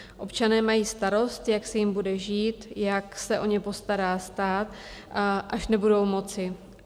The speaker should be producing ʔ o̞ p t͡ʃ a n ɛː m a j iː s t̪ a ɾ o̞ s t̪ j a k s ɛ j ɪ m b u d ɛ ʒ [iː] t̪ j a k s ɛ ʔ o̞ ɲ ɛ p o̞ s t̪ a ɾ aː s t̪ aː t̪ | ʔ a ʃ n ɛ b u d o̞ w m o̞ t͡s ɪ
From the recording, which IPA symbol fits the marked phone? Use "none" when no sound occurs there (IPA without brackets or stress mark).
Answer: iː